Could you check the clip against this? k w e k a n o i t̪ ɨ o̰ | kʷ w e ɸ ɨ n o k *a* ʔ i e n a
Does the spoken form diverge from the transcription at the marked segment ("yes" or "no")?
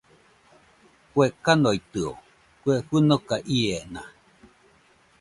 no